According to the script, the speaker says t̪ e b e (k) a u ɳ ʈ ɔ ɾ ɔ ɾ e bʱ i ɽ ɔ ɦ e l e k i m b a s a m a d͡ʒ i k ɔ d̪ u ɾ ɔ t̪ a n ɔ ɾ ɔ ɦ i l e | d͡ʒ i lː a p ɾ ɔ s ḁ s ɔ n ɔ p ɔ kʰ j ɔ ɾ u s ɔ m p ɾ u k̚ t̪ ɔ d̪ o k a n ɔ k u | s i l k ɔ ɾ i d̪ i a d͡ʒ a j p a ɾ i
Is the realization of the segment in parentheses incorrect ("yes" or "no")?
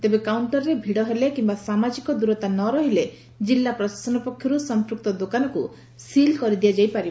no